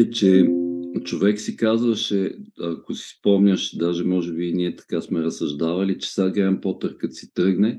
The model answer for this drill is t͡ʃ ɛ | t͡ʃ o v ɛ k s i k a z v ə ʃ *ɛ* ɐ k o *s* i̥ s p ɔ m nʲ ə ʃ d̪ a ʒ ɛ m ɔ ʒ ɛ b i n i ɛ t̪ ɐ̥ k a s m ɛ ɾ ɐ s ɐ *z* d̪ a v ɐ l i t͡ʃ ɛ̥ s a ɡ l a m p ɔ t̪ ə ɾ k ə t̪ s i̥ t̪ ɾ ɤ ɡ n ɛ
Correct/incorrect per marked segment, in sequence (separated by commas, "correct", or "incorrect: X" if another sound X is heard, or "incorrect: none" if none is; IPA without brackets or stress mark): correct, correct, incorrect: ʒ